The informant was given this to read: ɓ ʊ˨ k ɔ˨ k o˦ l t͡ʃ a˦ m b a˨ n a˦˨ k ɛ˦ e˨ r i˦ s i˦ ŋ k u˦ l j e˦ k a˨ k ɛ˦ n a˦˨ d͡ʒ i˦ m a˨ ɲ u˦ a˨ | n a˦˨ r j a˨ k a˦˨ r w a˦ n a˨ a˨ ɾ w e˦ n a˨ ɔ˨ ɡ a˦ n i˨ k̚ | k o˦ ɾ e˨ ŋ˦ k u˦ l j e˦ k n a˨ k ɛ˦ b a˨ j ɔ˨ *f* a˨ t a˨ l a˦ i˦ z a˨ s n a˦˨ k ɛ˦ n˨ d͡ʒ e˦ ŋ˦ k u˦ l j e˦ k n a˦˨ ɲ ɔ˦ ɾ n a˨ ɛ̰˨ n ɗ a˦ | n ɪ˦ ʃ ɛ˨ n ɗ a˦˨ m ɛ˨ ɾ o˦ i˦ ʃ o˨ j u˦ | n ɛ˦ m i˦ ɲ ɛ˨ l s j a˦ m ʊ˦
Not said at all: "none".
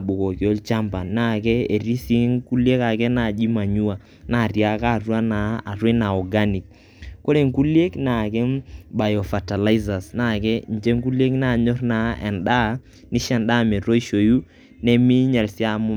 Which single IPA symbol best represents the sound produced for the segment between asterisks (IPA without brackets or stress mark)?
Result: f